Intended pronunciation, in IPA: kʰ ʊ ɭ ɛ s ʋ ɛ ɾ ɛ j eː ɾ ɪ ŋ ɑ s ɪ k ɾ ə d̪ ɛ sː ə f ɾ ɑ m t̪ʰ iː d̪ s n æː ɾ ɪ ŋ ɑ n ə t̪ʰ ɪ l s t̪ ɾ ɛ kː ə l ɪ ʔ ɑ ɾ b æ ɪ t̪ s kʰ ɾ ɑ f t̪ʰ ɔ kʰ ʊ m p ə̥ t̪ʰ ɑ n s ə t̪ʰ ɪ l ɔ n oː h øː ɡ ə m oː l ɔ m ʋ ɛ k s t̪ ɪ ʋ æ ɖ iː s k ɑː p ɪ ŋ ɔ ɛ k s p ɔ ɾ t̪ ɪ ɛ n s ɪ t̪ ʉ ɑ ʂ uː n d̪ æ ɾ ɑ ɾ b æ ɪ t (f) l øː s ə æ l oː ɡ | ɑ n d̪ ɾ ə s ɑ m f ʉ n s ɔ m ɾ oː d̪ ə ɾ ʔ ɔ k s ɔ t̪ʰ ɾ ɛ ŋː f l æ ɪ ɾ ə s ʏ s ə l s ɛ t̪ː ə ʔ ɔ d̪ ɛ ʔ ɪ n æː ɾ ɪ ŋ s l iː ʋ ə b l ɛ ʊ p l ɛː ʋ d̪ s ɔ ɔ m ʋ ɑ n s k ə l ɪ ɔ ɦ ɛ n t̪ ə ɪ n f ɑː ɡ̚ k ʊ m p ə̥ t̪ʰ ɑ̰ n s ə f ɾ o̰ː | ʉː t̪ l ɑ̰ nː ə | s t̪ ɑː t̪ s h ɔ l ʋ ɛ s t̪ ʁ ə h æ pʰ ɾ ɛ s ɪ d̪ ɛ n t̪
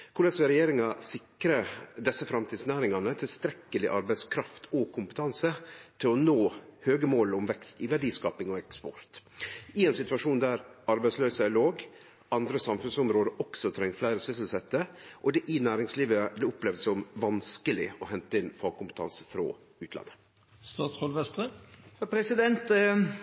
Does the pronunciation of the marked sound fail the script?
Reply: yes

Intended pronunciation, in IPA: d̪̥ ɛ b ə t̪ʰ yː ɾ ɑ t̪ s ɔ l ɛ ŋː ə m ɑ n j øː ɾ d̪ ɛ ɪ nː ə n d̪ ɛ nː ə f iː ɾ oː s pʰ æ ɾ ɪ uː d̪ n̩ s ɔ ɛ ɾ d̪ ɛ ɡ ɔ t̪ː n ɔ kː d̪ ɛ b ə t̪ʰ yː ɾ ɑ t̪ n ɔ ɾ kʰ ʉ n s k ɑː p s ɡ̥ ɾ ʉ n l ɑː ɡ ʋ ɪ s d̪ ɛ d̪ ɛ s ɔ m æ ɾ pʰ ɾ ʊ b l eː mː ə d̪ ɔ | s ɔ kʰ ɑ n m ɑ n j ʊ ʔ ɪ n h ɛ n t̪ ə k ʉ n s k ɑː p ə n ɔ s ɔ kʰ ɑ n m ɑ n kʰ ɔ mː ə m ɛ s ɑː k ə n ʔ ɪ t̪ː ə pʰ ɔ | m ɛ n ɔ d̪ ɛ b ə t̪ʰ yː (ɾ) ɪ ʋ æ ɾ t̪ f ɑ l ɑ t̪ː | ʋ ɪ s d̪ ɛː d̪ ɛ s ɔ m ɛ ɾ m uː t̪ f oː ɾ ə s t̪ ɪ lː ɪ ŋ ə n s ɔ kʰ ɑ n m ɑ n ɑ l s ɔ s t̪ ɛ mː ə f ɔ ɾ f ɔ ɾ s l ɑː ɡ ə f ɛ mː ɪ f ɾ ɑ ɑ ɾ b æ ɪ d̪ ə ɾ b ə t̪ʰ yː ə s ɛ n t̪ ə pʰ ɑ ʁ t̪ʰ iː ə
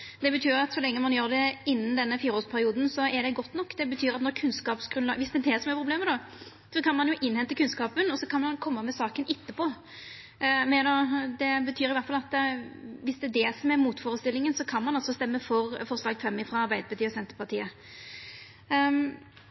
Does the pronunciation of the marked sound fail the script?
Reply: no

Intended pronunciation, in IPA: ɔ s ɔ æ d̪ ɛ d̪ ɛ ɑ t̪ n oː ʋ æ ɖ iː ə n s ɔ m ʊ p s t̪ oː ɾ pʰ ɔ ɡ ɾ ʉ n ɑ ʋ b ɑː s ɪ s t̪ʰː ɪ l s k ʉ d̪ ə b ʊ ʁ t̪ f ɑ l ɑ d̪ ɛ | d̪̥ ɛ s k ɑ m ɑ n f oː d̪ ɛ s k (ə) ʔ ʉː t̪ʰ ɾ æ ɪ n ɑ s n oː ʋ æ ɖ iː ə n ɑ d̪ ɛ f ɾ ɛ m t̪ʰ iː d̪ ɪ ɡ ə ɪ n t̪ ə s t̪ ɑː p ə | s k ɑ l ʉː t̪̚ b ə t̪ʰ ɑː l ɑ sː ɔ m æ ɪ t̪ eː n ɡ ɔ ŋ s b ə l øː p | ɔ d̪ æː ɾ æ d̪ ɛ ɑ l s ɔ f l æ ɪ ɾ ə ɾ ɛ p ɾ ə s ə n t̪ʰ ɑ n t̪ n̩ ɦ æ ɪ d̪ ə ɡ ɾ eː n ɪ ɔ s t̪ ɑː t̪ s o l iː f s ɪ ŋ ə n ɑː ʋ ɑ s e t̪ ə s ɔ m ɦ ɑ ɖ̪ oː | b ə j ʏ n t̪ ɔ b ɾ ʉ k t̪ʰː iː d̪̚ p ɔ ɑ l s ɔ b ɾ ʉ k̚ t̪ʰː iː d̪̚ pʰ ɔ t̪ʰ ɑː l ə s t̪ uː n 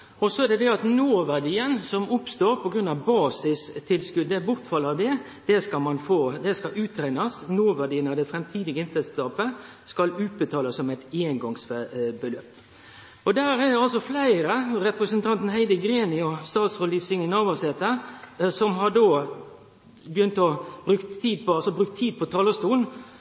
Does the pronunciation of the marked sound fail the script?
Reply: yes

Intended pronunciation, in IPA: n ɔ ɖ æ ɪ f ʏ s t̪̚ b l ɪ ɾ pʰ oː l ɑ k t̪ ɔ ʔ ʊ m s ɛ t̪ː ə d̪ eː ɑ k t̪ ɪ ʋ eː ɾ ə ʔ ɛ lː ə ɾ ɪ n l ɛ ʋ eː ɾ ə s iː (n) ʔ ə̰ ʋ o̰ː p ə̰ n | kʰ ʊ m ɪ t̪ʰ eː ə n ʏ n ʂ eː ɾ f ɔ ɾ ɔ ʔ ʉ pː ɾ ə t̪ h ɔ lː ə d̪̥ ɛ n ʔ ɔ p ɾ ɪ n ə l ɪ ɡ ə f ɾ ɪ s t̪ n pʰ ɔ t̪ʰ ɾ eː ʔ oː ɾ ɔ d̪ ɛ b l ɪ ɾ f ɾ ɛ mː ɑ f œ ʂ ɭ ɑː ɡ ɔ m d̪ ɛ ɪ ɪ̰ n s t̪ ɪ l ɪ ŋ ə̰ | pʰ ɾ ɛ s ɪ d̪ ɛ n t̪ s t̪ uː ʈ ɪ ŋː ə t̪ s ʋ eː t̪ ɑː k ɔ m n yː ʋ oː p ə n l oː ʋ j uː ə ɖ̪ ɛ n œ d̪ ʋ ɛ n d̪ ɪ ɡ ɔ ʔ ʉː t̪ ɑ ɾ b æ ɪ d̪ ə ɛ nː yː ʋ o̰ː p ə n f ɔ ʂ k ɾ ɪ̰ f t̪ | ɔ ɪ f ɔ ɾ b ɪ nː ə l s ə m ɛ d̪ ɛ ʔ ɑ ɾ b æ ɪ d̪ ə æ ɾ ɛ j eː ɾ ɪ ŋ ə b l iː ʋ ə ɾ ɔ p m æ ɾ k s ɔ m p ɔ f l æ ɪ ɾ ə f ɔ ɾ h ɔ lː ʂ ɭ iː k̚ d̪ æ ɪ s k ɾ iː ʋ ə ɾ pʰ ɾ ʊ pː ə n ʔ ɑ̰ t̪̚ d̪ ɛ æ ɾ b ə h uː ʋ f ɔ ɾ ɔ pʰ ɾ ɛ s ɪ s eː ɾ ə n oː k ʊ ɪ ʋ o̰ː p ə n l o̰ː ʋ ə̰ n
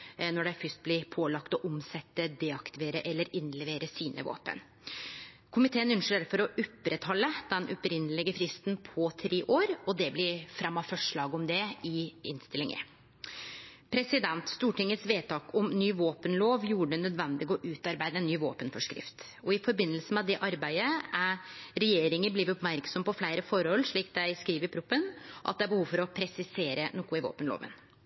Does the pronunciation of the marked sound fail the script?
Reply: no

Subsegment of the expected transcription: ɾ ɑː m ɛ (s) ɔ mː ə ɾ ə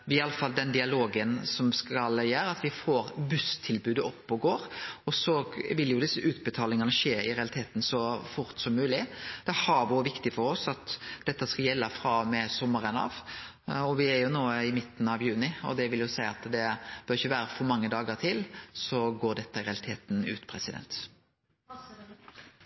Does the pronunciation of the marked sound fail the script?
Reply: no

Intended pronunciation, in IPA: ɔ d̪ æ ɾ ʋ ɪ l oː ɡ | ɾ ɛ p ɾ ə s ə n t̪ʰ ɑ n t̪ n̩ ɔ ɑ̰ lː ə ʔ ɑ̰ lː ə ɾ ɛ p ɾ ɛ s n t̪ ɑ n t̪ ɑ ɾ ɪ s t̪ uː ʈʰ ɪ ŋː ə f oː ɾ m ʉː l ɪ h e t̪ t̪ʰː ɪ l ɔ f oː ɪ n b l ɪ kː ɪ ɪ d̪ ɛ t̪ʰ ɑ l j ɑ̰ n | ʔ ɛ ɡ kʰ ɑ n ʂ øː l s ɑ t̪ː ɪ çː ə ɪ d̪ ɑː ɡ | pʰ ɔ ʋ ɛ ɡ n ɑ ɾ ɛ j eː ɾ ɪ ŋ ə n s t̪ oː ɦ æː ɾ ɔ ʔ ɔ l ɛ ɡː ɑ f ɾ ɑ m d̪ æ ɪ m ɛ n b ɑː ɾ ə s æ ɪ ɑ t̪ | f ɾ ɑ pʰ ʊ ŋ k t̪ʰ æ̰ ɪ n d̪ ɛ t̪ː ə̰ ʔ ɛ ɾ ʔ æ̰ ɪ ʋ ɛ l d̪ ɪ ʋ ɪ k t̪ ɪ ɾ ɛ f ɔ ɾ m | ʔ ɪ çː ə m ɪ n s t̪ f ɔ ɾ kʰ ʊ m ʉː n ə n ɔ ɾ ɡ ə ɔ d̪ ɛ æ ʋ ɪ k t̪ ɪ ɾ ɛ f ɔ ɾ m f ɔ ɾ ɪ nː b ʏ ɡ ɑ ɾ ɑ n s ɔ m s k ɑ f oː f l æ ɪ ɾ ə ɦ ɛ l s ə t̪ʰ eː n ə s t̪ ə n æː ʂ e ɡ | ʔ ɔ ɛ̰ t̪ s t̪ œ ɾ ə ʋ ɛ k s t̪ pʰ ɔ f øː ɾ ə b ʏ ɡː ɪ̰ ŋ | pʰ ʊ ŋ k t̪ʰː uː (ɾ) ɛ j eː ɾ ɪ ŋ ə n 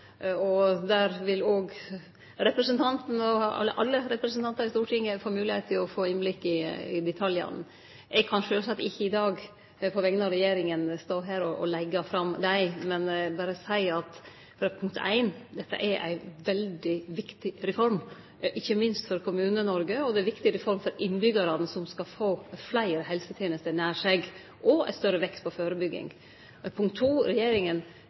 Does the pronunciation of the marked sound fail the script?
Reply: no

